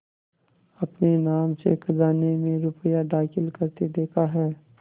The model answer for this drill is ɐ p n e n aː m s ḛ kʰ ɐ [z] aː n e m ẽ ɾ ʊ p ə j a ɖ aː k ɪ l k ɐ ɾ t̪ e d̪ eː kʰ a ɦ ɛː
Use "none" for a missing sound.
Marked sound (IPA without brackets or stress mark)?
z